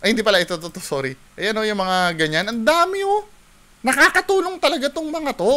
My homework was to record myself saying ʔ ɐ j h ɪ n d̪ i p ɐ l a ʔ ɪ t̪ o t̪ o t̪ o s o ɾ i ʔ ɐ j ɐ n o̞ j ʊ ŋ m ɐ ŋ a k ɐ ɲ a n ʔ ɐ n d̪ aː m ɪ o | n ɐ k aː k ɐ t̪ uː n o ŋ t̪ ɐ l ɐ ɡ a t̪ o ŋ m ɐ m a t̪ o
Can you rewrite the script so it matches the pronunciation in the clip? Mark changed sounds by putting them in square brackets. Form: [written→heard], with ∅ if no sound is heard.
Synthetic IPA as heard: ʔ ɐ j h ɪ n d̪ i p ɐ l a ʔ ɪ t̪ o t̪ o t̪ o s o ɾ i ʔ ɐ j ɐ n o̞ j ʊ ŋ m ɐ ŋ a [k→ɡ] ɐ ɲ a n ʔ ɐ n d̪ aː m ɪ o | n ɐ k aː k ɐ t̪ uː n o ŋ t̪ ɐ l ɐ ɡ a t̪ o ŋ m ɐ [m→ŋ] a t̪ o